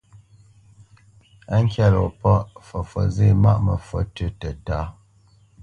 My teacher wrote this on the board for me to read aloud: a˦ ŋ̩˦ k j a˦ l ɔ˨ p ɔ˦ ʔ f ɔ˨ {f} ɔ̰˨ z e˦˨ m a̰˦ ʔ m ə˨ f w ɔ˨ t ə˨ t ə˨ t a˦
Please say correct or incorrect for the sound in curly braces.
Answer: correct